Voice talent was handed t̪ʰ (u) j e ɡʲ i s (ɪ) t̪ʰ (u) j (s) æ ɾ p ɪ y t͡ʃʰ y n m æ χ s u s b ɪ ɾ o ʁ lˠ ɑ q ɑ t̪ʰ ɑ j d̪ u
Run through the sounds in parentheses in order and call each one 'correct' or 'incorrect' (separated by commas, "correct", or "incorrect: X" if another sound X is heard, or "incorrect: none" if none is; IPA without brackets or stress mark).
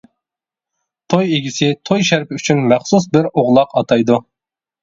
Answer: incorrect: o, correct, incorrect: o, incorrect: ʃ